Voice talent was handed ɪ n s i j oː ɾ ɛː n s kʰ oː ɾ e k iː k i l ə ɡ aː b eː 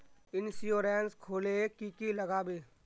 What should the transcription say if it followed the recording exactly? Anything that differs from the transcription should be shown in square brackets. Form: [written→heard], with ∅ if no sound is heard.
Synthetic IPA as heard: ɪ n s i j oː ɾ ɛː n s kʰ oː [ɾ→l] e k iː k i l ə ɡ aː b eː